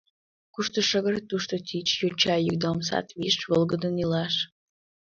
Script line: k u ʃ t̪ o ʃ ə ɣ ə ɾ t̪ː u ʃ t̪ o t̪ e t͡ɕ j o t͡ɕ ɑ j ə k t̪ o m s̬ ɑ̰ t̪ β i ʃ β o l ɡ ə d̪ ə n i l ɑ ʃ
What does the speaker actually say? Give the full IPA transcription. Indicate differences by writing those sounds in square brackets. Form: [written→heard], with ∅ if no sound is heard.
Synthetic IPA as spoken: k u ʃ t̪ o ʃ ə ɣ ə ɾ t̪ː u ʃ t̪ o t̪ [e→i] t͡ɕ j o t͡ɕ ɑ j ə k [t̪→d̪] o m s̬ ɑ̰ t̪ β i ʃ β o l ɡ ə d̪ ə n i l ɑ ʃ